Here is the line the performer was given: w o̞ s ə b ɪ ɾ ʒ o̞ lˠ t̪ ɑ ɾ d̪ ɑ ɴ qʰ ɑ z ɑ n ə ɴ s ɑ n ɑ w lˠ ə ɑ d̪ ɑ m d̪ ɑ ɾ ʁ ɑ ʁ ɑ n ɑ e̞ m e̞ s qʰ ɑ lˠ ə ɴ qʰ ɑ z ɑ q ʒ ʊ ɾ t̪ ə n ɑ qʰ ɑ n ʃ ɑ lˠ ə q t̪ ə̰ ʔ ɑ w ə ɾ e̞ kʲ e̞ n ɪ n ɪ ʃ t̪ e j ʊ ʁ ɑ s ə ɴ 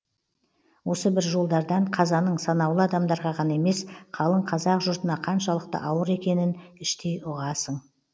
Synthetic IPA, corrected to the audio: w o̞ s ə b ɪ ɾ ʒ o̞ lˠ d̪ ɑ ɾ d̪ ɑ ɴ qʰ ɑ z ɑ n ə ɴ s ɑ n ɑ w lˠ ə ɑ d̪ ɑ m d̪ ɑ ɾ ʁ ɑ ʁ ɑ n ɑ e̞ m e̞ s qʰ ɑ lˠ ə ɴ qʰ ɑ z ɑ q ʒ ʊ ɾ t̪ ə n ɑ qʰ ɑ n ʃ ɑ lˠ ə q t̪ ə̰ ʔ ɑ w ə ɾ e̞ kʲ e̞ n ɪ n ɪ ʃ t̪ e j ʊ ʁ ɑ s ə ɴ